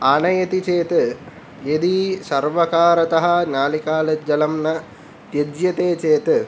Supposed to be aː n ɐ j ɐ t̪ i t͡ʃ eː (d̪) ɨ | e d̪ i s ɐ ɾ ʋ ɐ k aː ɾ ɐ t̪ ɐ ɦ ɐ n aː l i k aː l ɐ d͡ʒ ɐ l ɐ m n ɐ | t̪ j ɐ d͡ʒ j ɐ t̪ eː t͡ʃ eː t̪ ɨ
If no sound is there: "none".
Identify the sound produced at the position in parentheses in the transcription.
t̪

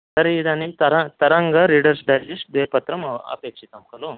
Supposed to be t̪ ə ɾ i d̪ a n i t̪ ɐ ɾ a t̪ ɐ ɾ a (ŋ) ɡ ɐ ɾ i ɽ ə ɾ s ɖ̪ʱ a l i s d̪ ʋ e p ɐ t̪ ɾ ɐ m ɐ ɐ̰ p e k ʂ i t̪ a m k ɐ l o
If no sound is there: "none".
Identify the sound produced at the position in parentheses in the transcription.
ŋ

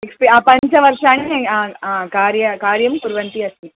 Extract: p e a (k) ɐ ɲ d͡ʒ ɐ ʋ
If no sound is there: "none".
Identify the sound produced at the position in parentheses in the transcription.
p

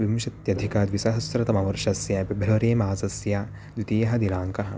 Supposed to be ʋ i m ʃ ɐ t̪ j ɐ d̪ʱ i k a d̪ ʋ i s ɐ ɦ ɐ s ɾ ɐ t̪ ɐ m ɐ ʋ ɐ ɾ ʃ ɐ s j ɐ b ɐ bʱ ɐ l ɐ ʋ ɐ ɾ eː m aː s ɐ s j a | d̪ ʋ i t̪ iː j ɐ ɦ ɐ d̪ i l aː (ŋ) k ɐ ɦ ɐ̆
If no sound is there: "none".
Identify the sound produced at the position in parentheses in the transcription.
ŋ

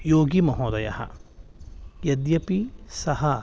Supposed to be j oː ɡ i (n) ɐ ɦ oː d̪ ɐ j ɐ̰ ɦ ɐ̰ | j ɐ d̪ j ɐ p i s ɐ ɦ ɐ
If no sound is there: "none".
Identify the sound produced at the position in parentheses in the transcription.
m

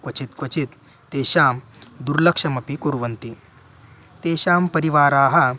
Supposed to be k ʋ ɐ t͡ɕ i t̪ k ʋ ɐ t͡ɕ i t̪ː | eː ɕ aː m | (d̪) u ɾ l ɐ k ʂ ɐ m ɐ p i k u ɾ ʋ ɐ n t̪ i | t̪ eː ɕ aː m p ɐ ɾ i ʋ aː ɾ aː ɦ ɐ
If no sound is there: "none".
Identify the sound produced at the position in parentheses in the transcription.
d̪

